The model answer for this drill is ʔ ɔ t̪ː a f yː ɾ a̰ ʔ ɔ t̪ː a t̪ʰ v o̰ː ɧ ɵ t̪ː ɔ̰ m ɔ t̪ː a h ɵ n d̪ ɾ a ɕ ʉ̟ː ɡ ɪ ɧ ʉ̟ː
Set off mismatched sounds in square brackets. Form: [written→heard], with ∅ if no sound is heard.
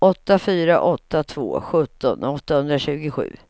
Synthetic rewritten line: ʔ ɔ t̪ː a f yː ɾ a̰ ʔ ɔ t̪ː a t̪ʰ v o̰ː ɧ ɵ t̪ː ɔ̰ [m→n] ɔ t̪ː a h ɵ n d̪ ɾ a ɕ ʉ̟ː ɡ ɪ ɧ ʉ̟ː